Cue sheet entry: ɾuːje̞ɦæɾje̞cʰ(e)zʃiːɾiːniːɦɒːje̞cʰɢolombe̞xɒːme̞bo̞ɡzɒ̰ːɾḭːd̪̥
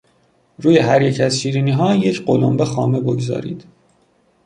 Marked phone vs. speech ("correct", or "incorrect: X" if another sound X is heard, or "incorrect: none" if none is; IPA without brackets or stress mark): incorrect: æ